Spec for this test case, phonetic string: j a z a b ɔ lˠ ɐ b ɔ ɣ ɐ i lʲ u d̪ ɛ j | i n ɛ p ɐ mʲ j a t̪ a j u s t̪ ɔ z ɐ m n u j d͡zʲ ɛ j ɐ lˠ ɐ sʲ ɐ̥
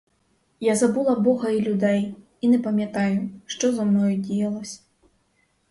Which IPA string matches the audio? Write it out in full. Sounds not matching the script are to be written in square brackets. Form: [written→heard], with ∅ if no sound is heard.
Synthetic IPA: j a z a b [ɔ→u] lˠ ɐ b ɔ ɣ ɐ i lʲ u d̪ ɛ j | i n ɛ p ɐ mʲ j a t̪ a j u [s→ʂ] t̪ ɔ z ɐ m n [u→ɔ] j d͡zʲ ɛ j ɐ lˠ ɐ sʲ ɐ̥